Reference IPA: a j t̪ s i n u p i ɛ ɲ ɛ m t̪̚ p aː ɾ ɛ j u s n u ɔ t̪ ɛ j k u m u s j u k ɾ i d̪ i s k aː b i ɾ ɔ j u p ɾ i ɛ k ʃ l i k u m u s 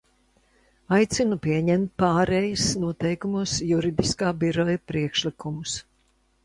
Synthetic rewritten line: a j t̪ s i n u p i ɛ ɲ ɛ m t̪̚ p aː ɾ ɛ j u s n u ɔ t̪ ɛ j k u m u s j u ɾ i d̪ i s k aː b i ɾ ɔ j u p ɾ i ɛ k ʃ l i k u m u s